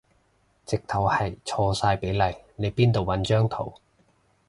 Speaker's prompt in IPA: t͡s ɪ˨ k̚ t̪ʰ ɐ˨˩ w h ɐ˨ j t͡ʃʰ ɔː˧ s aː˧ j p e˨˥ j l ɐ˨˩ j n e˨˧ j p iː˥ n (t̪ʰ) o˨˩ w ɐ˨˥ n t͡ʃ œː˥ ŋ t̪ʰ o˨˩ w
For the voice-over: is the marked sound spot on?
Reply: no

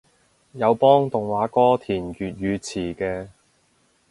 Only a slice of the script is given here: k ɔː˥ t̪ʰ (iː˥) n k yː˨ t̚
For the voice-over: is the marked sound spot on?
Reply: no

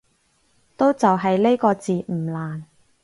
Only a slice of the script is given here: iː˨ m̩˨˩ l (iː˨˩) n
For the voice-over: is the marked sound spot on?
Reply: no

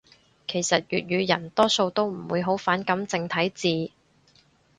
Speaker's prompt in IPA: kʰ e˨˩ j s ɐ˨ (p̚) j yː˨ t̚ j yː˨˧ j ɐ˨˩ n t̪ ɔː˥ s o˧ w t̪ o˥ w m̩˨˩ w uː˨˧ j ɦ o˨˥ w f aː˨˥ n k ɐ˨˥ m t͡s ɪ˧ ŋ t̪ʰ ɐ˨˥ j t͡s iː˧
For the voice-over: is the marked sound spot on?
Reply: no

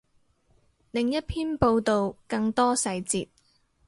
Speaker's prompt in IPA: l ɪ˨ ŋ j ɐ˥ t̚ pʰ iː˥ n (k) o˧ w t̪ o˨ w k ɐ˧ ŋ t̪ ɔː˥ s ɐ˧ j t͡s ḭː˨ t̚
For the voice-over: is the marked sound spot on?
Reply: no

